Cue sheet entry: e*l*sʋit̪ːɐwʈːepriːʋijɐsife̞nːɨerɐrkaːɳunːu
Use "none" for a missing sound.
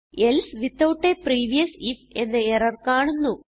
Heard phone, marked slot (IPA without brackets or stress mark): l